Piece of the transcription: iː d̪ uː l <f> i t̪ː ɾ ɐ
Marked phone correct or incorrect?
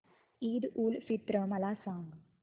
correct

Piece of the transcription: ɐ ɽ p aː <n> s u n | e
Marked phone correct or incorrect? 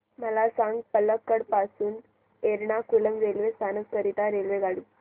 incorrect: none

